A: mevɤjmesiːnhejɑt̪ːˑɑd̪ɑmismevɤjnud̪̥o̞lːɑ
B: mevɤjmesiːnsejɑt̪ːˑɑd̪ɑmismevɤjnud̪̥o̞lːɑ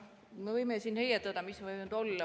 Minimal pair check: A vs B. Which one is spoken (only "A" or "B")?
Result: A